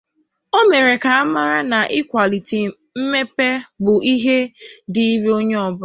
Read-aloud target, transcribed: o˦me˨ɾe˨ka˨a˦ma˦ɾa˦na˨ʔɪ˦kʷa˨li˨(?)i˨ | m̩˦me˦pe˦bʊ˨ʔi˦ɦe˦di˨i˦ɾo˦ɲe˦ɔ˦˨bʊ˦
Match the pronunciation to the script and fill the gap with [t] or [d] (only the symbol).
t